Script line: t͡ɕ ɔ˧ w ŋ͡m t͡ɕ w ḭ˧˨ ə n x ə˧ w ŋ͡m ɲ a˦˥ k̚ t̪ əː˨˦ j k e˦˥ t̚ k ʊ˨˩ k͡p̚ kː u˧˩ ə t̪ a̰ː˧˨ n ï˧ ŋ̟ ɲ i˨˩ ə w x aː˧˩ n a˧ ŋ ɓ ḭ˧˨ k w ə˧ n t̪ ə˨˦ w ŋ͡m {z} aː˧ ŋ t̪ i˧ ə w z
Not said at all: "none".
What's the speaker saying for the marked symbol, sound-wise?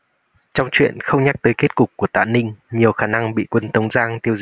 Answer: z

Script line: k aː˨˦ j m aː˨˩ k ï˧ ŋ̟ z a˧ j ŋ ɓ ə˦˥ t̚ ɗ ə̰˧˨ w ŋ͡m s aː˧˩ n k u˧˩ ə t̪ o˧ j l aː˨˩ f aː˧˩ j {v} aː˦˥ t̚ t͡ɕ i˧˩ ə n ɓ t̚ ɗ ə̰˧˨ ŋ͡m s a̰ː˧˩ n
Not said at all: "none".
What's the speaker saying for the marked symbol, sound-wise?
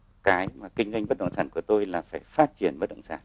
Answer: f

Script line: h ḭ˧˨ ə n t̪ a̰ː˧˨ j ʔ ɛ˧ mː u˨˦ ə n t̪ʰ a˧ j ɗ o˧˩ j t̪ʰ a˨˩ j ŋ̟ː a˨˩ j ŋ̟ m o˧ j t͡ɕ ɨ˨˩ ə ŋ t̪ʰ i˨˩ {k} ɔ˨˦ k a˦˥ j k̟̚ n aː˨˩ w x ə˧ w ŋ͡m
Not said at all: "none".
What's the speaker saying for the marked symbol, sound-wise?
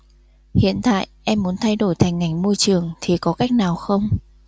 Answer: k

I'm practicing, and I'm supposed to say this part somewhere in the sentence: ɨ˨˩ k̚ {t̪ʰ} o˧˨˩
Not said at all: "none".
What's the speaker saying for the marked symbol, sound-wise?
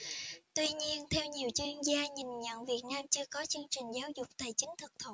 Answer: t̪ʰ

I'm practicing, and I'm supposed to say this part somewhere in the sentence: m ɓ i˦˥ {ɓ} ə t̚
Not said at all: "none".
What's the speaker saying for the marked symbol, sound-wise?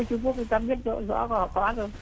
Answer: none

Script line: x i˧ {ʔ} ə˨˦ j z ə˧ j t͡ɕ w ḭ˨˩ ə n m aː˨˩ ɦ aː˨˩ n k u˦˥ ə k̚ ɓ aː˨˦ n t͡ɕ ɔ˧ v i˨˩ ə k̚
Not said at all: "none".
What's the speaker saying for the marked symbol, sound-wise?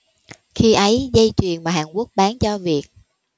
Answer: ʔ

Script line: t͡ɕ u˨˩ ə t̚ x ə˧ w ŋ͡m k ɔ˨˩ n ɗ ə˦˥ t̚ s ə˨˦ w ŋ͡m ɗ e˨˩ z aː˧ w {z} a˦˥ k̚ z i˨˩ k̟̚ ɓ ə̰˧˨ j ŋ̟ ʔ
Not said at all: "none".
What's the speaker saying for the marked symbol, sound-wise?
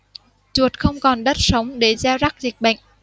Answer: z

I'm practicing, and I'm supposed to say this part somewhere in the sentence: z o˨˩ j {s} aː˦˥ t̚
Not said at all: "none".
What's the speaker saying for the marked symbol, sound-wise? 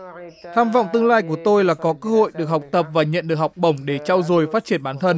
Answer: f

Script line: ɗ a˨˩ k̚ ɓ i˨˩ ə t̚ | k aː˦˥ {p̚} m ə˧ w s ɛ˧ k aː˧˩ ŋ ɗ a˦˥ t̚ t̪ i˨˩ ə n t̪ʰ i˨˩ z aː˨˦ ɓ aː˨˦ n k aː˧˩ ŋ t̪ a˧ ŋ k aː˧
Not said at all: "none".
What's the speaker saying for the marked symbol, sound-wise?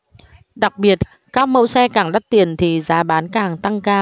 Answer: k̚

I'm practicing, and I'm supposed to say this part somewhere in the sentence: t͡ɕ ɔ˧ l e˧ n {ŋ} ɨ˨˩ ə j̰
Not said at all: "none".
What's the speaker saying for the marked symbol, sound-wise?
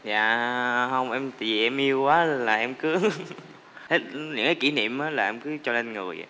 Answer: ŋ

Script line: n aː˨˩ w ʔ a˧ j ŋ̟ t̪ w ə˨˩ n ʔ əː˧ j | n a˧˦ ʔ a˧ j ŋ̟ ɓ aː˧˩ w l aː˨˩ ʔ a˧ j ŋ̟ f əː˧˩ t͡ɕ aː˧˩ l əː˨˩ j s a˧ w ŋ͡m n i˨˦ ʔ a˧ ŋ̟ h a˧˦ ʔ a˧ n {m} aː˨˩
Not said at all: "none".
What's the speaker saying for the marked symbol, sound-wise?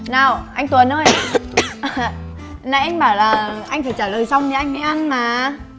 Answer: m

